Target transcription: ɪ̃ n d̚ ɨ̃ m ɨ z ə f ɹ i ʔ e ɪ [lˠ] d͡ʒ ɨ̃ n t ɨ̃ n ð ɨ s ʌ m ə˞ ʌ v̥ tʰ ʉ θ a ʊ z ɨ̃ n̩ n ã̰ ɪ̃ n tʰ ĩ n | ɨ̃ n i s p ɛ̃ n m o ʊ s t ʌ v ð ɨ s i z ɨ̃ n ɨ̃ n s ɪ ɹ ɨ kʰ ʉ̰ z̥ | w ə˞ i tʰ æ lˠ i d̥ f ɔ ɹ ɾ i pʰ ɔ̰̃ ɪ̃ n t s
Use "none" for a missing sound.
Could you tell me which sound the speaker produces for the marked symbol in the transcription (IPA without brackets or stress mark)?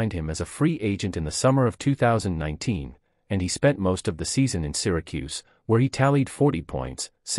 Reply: none